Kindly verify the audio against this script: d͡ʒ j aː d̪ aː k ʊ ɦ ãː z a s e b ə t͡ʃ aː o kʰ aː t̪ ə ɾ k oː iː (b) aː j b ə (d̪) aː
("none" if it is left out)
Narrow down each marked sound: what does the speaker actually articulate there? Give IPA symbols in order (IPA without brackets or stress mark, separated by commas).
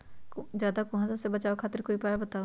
p, t̪